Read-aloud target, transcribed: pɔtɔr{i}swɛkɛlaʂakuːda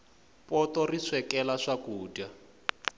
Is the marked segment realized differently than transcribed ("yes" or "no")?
no